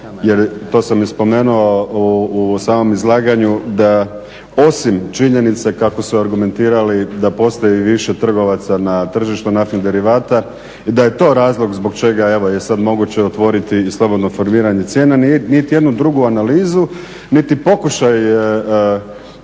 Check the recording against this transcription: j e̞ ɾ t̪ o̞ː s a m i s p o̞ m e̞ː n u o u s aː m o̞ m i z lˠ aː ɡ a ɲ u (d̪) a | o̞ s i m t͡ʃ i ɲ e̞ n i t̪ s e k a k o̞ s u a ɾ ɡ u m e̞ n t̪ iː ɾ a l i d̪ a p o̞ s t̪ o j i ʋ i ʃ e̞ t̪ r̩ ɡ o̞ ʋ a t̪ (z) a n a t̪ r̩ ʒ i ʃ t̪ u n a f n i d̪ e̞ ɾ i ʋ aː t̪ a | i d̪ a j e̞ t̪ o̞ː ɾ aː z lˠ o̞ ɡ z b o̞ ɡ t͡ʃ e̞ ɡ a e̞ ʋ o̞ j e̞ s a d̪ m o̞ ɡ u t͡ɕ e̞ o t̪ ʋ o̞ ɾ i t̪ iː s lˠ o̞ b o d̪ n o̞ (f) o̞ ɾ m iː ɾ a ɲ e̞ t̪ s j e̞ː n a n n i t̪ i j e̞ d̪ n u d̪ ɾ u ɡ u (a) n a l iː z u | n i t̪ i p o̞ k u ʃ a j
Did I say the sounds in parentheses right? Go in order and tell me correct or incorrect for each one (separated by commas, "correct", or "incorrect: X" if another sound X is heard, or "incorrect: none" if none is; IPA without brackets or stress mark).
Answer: correct, incorrect: s, correct, correct